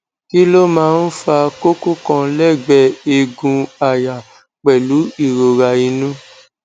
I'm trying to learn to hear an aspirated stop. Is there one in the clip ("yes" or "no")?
no